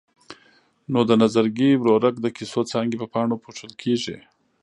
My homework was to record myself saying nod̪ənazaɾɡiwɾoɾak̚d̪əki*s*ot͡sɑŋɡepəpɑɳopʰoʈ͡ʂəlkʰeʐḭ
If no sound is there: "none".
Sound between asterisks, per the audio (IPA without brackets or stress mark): s